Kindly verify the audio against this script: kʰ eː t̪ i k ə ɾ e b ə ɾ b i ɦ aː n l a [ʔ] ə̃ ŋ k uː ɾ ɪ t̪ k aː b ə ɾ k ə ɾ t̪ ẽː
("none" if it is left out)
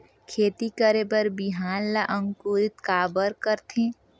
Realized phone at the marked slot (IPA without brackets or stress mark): ʔ